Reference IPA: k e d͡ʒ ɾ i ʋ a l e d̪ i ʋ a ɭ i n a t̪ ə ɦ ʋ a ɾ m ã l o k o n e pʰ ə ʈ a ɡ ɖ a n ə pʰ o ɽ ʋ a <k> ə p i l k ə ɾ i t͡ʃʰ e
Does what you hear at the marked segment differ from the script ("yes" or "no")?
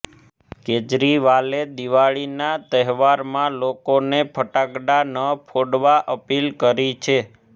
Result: yes